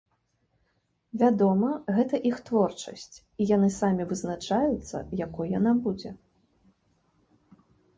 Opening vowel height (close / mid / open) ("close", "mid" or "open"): open